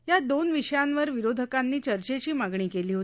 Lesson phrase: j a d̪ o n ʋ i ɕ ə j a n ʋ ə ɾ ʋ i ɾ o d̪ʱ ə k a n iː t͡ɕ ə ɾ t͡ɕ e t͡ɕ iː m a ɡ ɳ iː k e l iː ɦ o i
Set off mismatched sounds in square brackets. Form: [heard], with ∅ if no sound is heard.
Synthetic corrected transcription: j a d̪ o n ʋ i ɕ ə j a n ʋ ə ɾ ʋ i ɾ o d̪ʱ ə k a [nː] iː t͡ɕ ə ɾ t͡ɕ e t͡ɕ iː m a ɡ ɳ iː k e l iː ɦ o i